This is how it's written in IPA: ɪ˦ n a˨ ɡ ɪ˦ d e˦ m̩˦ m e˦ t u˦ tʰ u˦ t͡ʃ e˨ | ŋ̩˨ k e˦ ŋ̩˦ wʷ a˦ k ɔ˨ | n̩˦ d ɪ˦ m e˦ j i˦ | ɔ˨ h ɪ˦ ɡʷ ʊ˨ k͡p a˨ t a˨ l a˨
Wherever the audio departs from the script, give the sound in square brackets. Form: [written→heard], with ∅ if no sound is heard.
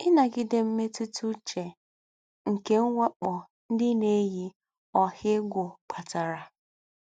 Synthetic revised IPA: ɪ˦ n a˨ ɡ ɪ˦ d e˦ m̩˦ m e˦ t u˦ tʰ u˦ t͡ʃ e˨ | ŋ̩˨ k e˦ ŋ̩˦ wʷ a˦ [k→k͡p] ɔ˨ | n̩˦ d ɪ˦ [m→n] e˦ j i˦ | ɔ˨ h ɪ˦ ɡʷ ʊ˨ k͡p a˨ t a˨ [l→ɾ] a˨